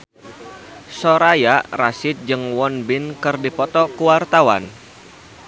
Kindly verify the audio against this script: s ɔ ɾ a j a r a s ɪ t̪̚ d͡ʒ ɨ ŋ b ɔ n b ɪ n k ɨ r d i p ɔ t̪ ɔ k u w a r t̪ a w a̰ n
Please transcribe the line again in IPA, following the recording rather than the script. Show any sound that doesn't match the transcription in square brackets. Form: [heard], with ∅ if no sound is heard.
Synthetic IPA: s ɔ ɾ a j a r a s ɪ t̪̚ d͡ʒ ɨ ŋ [w] ɔ n b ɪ n k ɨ r d i p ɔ t̪ ɔ k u w a r t̪ a w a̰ n